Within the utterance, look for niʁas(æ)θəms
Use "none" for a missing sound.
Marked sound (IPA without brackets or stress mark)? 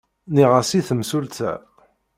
i